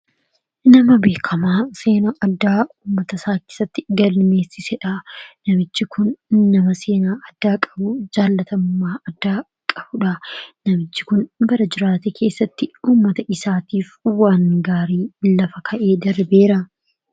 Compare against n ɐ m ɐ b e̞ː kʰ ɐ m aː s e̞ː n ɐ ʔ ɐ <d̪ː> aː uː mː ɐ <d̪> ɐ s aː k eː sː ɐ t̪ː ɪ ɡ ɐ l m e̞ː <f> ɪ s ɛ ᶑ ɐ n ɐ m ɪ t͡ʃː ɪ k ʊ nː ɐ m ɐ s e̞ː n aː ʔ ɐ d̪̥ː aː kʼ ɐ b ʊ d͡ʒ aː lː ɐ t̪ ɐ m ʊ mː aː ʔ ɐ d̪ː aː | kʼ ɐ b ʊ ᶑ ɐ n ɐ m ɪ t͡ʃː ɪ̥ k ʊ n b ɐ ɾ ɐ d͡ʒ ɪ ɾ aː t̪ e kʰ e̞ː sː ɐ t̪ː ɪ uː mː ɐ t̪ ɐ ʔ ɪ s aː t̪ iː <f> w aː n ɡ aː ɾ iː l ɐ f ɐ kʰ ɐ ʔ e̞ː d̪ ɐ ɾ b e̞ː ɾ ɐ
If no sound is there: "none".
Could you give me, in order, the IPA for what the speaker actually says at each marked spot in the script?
d̪ː, t̪, s, f

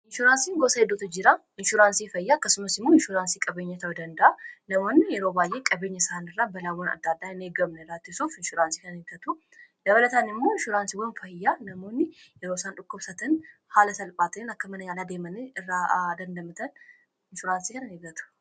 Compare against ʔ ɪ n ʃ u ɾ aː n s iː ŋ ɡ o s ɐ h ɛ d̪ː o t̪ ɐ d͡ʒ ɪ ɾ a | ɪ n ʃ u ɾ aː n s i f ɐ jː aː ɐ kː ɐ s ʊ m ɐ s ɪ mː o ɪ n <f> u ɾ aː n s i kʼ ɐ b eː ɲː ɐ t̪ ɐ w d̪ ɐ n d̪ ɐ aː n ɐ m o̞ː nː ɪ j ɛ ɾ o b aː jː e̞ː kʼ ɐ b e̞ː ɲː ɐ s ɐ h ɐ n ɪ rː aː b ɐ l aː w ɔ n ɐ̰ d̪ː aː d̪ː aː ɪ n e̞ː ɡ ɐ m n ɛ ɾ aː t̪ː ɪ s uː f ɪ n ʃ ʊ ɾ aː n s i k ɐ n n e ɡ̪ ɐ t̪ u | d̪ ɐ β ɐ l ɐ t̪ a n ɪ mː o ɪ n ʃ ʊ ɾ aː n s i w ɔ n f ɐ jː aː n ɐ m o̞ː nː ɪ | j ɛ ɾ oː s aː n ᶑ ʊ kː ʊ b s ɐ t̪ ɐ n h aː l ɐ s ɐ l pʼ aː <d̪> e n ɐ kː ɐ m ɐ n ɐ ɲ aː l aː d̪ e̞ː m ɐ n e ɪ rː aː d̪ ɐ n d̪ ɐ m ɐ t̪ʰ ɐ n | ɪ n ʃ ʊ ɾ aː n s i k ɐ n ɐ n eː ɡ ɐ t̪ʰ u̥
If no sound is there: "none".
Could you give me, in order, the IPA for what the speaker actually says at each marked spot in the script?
ʃ, t̪

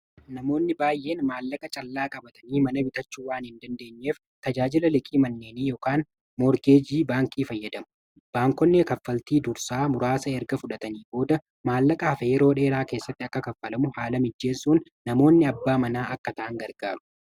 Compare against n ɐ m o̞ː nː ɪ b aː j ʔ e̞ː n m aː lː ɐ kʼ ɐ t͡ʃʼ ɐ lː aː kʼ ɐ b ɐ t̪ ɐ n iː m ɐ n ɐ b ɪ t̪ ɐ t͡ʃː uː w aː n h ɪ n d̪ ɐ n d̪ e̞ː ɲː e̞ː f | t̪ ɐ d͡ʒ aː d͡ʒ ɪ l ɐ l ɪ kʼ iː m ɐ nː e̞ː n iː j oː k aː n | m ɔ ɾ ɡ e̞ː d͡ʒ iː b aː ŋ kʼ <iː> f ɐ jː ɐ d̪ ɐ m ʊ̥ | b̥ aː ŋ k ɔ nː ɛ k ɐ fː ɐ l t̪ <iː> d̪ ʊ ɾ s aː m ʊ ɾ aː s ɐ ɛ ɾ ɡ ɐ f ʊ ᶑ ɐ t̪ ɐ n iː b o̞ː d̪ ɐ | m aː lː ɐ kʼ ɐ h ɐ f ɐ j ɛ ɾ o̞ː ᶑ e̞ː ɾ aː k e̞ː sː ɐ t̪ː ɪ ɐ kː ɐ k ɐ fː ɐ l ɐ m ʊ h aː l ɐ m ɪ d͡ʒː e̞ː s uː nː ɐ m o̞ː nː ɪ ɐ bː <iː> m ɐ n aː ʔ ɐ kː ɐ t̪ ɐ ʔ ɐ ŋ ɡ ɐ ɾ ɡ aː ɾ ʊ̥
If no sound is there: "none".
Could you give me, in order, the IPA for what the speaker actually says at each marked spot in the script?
iː, iː, aː

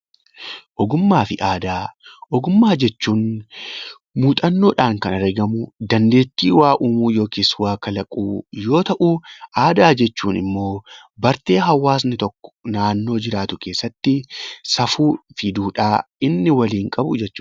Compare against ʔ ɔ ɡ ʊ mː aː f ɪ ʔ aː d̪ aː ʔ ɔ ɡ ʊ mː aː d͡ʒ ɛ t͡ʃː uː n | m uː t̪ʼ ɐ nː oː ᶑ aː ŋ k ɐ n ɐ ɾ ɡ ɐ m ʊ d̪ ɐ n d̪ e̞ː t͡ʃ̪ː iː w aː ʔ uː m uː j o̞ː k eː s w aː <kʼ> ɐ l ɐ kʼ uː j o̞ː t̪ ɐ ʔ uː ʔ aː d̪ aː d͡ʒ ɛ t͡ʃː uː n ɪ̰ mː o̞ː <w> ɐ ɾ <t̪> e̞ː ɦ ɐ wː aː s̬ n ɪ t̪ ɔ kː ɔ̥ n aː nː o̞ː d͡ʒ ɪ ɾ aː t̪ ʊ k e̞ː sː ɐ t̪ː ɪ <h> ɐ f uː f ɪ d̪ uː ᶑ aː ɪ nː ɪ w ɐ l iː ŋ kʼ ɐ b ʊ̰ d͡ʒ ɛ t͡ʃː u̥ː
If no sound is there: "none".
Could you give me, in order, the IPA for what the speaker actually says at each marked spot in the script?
k, b, t̪, s

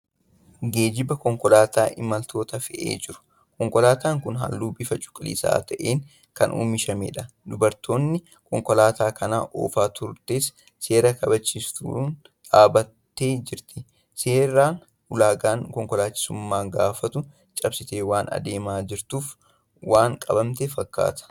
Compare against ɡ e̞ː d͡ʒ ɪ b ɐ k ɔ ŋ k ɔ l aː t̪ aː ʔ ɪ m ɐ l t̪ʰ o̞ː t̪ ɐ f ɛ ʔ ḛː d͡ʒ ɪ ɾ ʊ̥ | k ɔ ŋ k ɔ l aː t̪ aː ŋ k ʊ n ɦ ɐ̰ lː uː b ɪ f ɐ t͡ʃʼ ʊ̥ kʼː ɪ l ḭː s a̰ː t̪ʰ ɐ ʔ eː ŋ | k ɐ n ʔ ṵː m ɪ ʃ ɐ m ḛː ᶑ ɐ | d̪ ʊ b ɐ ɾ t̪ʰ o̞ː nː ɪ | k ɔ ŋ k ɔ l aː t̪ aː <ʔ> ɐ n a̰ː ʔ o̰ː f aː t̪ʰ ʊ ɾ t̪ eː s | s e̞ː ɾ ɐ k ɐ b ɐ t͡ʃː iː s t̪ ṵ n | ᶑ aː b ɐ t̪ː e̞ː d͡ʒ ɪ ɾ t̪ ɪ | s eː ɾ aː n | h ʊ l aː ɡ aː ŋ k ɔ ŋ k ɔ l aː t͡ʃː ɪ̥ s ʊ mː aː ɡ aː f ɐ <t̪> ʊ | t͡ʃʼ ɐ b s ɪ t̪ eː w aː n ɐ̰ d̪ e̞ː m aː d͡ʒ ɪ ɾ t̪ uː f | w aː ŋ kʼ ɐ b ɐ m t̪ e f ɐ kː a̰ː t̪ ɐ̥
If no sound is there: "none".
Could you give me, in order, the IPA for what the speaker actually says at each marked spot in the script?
k, t̪

